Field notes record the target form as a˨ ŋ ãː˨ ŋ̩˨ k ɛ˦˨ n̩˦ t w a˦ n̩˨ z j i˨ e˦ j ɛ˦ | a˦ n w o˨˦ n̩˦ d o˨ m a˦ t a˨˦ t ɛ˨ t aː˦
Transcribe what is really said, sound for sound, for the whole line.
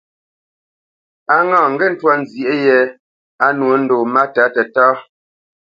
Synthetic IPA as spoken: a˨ ŋ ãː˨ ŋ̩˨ ɡ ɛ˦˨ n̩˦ t w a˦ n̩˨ z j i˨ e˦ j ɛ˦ | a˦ n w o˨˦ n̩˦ d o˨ m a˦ t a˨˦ t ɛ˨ t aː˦